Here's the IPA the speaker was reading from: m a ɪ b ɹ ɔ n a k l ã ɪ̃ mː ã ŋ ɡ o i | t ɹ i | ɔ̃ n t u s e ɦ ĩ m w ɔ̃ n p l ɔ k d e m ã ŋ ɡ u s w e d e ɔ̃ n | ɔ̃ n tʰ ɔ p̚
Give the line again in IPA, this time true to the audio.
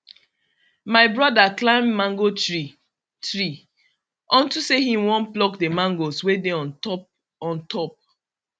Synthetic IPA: m a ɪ b ɹ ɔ d a k l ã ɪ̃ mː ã ŋ ɡ o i | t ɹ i | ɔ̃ n t u s e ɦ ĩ m w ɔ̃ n p l ɔ k d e m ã ŋ ɡ o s w e d e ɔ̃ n | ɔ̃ n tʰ ɔ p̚